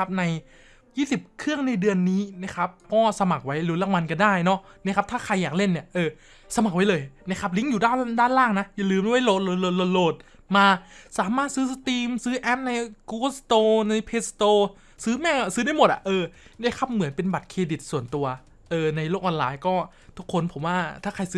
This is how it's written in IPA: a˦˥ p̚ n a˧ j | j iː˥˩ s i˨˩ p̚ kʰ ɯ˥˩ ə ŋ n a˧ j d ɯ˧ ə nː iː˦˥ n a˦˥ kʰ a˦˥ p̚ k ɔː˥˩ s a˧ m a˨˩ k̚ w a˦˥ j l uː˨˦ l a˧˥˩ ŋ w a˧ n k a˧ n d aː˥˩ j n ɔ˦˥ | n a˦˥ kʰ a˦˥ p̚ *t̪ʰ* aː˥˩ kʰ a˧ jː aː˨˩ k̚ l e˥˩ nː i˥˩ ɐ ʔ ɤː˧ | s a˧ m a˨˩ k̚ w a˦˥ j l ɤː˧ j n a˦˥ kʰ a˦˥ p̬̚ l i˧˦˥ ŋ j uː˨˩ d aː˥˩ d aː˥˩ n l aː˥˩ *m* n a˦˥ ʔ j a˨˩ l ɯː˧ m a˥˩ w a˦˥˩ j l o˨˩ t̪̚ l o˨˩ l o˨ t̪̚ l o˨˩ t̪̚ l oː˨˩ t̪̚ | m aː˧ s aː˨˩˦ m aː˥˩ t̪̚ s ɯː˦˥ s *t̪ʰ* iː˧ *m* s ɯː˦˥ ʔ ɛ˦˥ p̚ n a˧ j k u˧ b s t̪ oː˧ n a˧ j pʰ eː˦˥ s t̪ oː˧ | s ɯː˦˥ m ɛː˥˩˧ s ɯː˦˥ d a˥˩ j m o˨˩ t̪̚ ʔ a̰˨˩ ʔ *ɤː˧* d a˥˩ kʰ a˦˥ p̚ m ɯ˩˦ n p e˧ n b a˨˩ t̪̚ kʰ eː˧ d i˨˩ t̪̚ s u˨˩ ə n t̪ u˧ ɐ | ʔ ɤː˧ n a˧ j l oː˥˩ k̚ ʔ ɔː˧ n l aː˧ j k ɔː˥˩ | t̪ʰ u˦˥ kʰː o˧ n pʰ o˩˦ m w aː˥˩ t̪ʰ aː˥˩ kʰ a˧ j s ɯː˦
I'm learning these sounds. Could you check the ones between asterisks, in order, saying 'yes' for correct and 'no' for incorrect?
yes, no, no, yes, yes

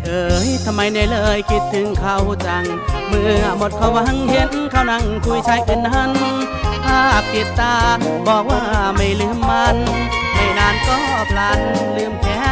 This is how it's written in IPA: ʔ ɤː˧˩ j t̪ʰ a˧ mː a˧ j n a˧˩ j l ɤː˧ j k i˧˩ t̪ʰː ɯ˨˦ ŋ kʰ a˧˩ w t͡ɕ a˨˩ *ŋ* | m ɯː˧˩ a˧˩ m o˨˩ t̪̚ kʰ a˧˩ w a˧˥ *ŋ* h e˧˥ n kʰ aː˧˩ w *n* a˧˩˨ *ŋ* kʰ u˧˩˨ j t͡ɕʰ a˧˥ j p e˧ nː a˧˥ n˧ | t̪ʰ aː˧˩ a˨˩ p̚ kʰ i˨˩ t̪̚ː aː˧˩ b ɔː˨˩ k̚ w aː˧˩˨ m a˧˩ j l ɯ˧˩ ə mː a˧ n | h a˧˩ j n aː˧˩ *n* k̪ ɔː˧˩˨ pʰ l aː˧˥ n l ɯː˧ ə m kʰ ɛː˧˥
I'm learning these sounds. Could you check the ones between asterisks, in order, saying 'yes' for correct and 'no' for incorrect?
yes, yes, yes, yes, yes

